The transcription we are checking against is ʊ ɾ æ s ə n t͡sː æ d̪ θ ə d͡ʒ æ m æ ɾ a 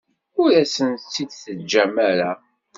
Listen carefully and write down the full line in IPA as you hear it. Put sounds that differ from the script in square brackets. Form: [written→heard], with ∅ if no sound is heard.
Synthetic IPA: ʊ ɾ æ s ə n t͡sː [æ→i] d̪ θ ə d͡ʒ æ m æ ɾ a